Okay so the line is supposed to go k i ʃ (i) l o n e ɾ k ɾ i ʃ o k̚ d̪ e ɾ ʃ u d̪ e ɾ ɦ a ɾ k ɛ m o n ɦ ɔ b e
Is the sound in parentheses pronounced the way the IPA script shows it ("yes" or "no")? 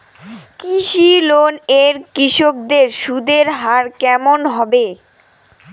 yes